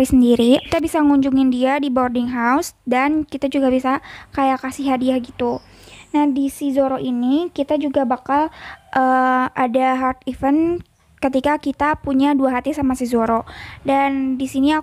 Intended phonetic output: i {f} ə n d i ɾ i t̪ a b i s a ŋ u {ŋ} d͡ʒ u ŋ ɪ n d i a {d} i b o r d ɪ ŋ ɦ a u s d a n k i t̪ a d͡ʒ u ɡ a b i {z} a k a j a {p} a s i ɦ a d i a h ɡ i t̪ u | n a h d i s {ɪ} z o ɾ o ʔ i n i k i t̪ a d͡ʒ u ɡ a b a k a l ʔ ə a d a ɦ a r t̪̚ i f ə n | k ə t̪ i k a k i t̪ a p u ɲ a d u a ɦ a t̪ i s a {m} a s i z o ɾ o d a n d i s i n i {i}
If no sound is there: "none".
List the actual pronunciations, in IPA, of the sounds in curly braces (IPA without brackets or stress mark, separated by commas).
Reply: s, ɲ, d, s, k, i, m, a